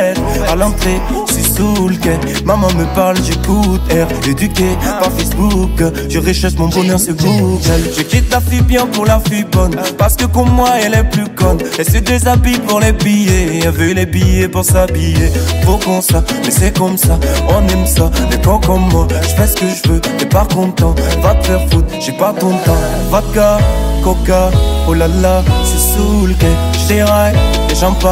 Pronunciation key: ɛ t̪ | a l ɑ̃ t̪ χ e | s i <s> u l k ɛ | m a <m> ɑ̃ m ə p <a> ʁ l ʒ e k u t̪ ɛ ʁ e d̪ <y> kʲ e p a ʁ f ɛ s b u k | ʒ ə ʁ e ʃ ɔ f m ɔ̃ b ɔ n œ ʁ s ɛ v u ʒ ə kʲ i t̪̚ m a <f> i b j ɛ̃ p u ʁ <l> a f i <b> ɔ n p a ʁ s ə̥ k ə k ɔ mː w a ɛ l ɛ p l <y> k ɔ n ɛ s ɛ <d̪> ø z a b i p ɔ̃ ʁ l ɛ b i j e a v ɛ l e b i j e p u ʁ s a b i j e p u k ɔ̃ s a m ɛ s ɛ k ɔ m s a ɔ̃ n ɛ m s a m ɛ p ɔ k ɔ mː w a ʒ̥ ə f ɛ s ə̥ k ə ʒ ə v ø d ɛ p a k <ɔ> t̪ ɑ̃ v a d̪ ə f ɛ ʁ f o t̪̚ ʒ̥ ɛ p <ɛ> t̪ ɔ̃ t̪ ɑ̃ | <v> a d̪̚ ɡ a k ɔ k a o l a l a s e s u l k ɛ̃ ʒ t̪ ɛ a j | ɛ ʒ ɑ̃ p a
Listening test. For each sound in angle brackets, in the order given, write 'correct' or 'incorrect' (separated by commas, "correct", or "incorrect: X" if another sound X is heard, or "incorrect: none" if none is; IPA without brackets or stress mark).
correct, correct, correct, correct, correct, correct, correct, correct, correct, incorrect: ɔ̃, incorrect: a, correct